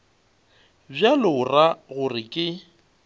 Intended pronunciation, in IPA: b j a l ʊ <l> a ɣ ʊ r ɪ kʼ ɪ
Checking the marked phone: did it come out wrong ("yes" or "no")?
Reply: yes